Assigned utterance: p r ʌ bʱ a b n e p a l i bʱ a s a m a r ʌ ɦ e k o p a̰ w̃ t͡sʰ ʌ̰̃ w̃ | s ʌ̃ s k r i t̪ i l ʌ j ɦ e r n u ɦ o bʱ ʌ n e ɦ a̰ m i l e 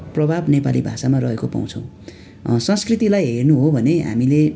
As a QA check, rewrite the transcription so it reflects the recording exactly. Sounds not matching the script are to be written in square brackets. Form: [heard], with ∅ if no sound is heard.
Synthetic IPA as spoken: p r ʌ bʱ a b n e p a l i bʱ a s a m a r ʌ ɦ e k o p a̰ w̃ t͡sʰ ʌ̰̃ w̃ | s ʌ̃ s k r i t̪ i l [a] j ɦ e r n u ɦ o bʱ ʌ n e ɦ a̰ m i l e